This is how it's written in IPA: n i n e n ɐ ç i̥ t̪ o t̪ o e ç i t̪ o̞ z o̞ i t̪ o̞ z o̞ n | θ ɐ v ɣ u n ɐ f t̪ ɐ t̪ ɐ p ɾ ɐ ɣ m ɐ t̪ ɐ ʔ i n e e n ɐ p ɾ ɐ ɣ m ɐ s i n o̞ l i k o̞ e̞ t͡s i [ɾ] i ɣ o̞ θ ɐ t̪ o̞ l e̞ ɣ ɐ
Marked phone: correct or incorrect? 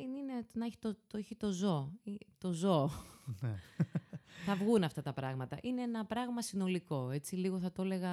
incorrect